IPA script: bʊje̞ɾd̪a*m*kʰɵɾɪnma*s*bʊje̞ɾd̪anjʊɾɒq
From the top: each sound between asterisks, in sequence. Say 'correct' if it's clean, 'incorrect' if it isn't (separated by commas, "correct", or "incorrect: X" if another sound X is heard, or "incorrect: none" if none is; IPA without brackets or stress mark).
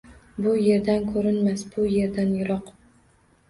incorrect: n, correct